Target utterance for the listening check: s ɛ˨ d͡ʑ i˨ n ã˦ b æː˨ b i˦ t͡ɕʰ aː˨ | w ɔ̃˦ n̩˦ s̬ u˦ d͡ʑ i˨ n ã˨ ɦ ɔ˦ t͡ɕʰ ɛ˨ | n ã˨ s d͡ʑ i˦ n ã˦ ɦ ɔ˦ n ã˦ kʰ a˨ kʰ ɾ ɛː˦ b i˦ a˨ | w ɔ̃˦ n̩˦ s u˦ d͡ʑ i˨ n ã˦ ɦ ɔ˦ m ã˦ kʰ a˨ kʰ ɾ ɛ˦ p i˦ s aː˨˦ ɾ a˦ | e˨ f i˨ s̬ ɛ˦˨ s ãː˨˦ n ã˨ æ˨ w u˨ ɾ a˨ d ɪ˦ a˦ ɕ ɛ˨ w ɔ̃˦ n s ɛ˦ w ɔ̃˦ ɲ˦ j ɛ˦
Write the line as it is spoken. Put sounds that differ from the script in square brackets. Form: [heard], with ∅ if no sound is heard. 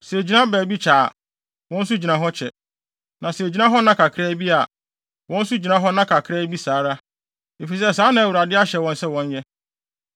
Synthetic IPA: s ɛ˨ d͡ʑ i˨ n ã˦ b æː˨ b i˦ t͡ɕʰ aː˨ | w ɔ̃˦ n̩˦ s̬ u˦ d͡ʑ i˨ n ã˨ ɦ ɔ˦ t͡ɕʰ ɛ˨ | n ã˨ s d͡ʑ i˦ n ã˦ ɦ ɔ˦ n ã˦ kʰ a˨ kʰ ɾ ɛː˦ b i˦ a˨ | w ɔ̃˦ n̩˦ s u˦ d͡ʑ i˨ n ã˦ ɦ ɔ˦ [n] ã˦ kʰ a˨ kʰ ɾ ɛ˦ [b] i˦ s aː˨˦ ɾ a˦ | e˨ f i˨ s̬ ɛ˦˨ s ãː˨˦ n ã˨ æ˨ w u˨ ɾ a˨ d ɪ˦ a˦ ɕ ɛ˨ w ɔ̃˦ n s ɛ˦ w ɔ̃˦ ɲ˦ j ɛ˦